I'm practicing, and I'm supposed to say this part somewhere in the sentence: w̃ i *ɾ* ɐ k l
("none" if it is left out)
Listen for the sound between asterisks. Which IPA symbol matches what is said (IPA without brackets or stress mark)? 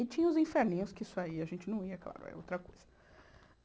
none